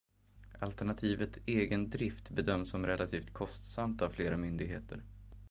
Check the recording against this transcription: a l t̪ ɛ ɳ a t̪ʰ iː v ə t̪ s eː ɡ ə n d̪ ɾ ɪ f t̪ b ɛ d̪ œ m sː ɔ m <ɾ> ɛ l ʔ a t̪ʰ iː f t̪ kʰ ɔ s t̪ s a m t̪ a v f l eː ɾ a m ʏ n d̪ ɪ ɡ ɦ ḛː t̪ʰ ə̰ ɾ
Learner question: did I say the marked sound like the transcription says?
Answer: yes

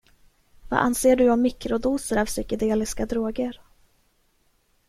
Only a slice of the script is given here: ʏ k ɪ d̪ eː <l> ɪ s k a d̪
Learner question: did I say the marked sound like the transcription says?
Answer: yes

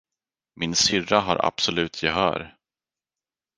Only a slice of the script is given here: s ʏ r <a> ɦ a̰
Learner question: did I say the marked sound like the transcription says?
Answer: yes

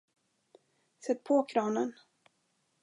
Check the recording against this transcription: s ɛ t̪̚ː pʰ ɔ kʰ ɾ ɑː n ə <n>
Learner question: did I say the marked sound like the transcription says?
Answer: yes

